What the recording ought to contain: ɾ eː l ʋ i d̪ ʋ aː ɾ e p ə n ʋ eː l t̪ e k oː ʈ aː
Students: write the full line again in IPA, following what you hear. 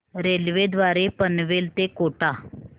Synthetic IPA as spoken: ɾ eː l ʋ e d̪ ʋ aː ɾ e p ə n ʋ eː l t̪ e k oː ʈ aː